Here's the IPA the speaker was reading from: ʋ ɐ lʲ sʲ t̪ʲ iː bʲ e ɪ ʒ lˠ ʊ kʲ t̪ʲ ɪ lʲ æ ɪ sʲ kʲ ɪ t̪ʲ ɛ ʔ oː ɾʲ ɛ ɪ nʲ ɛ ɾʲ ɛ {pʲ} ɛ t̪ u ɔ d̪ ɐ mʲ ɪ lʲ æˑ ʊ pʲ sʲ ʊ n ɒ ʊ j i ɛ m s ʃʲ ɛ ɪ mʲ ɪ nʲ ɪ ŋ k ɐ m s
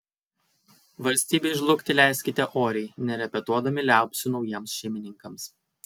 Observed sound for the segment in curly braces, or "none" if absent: pʲ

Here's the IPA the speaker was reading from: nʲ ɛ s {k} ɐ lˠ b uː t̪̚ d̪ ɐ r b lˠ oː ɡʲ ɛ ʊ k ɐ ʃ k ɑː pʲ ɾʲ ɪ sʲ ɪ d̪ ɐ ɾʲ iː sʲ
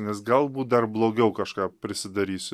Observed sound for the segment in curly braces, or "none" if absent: ɡ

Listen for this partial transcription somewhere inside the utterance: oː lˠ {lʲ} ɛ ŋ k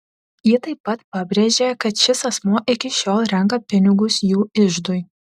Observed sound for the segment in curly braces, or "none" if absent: ɾʲ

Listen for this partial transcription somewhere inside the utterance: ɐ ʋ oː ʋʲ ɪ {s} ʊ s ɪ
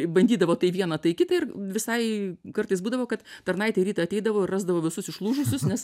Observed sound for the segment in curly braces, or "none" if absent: s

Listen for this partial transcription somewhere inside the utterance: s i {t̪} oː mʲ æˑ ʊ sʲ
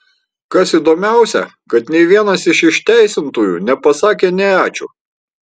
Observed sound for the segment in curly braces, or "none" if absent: d̪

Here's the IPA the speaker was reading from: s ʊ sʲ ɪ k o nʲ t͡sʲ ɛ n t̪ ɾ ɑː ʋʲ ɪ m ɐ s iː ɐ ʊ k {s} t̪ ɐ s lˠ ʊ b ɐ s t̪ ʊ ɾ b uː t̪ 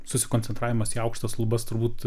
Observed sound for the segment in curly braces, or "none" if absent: ʃ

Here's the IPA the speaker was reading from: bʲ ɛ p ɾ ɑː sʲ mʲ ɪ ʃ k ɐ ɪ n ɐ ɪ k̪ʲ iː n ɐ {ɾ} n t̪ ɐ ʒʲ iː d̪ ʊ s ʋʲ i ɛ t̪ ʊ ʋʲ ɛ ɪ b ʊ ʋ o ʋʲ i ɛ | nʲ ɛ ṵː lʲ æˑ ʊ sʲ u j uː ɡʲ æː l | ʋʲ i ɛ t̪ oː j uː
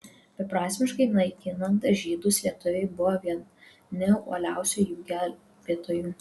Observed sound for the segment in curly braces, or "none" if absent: none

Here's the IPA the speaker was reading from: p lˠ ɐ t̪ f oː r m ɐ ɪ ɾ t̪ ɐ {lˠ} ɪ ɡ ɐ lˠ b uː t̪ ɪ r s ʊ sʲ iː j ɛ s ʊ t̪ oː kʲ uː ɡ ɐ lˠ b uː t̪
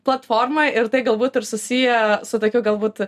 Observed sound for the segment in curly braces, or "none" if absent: none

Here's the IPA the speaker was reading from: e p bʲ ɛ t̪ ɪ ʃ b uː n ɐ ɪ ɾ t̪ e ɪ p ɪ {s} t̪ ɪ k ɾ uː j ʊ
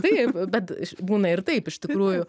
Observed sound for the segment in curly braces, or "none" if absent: ʃ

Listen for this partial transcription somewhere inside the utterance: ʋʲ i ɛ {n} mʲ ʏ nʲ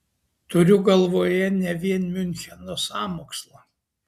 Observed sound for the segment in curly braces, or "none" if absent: n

